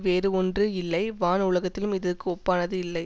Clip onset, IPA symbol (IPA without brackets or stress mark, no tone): ʋ